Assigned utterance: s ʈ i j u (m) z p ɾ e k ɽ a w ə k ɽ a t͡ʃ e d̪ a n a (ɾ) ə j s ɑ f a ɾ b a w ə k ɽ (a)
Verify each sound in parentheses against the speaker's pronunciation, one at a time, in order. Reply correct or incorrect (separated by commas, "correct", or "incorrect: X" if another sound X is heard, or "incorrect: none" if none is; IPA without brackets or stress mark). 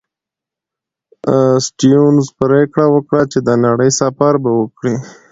incorrect: n, incorrect: ɽ, incorrect: i